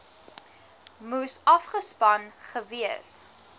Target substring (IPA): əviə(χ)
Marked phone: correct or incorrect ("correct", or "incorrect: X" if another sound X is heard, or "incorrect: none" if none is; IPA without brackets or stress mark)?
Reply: incorrect: s